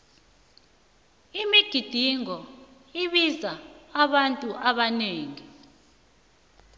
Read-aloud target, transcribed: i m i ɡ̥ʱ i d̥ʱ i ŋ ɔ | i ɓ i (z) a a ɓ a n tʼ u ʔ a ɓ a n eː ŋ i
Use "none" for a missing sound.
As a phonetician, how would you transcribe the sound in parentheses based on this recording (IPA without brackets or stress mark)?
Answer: z